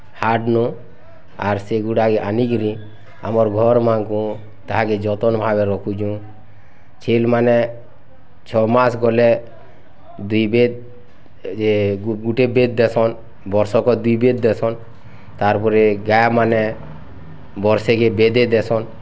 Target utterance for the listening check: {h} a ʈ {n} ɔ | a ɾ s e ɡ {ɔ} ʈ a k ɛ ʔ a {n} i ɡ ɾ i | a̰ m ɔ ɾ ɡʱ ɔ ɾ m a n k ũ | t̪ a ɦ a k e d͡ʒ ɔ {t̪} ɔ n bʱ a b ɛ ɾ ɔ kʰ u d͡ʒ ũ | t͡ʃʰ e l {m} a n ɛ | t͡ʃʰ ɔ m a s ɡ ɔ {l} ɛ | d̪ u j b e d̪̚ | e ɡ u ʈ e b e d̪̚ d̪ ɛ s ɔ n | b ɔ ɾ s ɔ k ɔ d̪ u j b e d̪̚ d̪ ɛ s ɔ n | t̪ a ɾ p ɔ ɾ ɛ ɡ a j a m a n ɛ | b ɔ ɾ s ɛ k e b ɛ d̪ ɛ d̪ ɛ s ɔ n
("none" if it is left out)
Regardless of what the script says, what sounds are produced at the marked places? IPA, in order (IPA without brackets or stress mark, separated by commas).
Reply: h, n, u, n, t̪, m, l